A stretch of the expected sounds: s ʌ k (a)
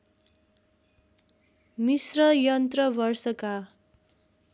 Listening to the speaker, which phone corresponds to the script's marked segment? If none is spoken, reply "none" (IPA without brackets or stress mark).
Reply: a